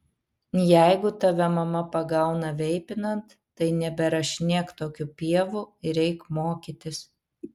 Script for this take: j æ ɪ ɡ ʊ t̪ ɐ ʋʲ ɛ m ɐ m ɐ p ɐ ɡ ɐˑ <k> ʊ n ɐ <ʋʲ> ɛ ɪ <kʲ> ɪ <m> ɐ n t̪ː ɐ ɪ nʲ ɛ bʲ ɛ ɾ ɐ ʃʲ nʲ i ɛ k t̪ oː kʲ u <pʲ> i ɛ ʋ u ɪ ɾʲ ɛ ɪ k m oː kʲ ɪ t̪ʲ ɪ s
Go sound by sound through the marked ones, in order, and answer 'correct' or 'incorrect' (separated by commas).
incorrect, correct, incorrect, incorrect, correct